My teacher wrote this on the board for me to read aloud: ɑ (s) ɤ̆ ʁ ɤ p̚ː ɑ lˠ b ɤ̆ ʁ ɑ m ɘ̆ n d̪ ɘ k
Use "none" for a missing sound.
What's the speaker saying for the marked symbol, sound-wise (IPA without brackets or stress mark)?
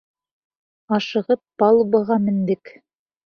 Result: ʃ